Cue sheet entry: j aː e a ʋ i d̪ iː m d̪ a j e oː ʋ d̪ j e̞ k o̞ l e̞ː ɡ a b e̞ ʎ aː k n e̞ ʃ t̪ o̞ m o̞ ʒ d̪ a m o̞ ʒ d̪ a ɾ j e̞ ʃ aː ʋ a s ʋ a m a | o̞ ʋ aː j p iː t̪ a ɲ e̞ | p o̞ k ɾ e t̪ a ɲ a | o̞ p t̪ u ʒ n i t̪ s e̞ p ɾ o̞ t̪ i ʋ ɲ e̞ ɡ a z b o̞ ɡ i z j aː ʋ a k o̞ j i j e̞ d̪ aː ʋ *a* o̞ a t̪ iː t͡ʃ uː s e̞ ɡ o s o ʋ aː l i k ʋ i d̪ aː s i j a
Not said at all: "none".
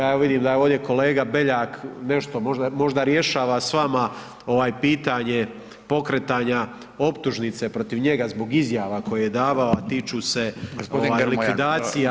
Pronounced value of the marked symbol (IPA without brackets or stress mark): a